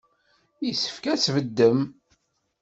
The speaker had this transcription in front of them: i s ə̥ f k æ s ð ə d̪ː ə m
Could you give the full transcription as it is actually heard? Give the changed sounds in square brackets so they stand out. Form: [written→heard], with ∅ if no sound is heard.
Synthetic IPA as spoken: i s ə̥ f k æ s [ð→v] ə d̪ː ə m